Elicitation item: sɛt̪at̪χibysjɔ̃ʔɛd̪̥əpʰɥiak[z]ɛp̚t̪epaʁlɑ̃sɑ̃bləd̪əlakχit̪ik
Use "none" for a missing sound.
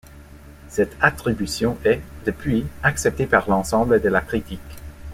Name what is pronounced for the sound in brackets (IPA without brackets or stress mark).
s